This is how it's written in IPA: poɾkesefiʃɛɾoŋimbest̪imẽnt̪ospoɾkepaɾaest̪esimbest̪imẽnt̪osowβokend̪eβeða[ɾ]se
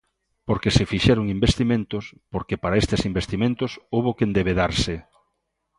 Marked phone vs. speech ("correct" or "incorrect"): correct